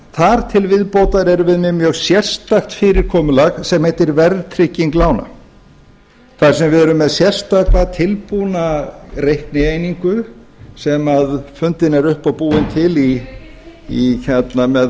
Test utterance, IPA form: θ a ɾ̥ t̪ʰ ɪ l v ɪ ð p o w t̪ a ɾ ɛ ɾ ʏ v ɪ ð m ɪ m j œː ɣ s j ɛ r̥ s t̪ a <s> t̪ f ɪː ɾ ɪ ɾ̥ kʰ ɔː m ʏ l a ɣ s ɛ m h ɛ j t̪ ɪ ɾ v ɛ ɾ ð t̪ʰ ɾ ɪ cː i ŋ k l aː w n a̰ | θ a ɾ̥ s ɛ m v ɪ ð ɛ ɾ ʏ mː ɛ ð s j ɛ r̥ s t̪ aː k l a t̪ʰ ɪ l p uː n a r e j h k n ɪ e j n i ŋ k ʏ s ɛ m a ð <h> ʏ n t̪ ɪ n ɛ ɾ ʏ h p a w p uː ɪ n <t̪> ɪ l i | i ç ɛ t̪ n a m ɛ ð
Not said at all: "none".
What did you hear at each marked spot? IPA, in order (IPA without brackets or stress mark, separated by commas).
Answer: x, f, t̪ʰ